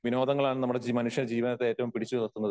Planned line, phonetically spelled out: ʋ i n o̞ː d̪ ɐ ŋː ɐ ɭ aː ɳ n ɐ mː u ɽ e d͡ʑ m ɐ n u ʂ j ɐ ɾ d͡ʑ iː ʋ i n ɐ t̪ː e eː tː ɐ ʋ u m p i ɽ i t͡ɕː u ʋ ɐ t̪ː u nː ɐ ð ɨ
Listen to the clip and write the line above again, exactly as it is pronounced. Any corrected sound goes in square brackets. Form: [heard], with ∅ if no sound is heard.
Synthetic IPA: ʋ i n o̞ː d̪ ɐ ŋː ɐ ɭ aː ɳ n ɐ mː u ɽ e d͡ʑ m ɐ n u ʂ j ɐ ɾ d͡ʑ iː ʋ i n ɐ t̪ː e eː tː ɐ ʋ u m p i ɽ i t͡ɕː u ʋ ɐ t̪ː u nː ɐ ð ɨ